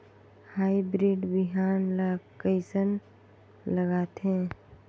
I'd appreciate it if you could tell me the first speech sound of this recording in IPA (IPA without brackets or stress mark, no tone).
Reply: h